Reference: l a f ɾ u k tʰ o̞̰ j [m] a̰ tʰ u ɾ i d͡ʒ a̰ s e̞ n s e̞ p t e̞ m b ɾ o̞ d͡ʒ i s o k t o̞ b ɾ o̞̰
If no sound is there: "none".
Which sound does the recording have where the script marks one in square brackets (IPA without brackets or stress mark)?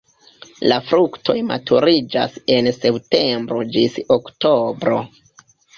m